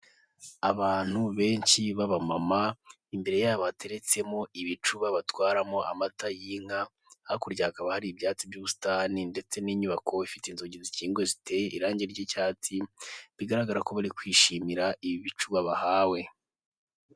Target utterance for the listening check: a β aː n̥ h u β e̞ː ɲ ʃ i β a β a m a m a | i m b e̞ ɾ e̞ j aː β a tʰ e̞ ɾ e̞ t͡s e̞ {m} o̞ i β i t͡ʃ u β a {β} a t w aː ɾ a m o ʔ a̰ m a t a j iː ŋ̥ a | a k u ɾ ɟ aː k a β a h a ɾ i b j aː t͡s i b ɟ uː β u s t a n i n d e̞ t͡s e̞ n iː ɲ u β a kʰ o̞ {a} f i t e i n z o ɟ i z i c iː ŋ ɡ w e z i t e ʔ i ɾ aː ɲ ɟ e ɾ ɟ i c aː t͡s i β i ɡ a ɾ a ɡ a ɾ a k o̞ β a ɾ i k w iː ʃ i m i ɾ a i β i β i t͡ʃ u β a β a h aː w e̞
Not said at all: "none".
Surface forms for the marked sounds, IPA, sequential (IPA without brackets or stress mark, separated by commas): m, β, i